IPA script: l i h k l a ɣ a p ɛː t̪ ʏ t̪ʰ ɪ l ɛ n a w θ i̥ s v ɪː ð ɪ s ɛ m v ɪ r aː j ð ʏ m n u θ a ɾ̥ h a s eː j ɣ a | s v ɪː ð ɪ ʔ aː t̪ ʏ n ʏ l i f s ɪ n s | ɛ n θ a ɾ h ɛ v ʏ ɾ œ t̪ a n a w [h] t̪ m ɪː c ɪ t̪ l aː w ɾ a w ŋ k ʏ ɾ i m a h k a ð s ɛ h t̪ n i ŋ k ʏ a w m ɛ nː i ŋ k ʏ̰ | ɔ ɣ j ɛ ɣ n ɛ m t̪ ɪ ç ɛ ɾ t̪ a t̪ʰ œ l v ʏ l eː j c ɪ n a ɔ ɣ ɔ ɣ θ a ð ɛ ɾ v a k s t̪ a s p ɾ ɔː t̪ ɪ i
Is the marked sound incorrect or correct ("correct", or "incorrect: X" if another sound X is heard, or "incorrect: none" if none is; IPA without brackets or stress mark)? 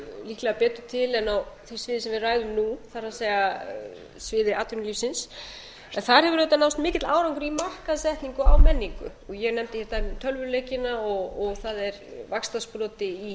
incorrect: s